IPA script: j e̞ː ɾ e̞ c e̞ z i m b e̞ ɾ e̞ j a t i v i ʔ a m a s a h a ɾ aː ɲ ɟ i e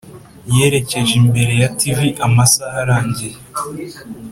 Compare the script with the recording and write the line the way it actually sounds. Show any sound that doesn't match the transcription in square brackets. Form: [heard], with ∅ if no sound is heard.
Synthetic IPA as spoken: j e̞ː ɾ e̞ c e̞ [ʒ] i m b e̞ ɾ e̞ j a t i v i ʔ a m a s a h a ɾ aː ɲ ɟ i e